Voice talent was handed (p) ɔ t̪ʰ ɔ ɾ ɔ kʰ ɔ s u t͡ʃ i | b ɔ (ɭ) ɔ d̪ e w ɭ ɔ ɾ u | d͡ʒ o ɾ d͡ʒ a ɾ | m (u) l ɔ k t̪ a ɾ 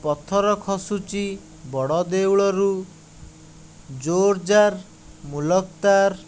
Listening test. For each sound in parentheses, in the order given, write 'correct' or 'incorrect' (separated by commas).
correct, incorrect, correct